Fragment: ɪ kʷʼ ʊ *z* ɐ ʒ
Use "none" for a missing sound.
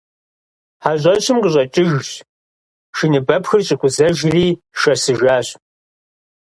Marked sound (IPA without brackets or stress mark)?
z